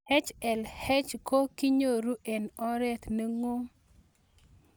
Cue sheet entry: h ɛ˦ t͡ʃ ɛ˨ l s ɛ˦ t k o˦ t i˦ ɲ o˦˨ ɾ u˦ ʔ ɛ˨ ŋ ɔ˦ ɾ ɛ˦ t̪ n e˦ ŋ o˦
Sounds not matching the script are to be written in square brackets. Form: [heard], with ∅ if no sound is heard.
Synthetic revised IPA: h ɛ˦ t͡ʃ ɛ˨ l [h] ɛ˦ [t͡ʃ] k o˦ [k] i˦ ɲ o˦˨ ɾ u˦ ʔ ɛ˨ [n] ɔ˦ ɾ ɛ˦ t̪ n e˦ ŋ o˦